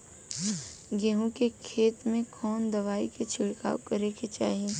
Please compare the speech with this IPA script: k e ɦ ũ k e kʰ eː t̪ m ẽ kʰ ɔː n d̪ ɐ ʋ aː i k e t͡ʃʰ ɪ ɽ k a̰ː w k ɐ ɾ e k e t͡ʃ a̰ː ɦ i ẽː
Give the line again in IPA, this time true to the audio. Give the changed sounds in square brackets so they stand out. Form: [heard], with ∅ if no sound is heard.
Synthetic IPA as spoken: [ɡ] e ɦ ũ k e kʰ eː t̪ m ẽ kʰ ɔː n d̪ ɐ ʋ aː i k e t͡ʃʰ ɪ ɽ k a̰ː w k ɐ ɾ e k e t͡ʃ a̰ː ɦ i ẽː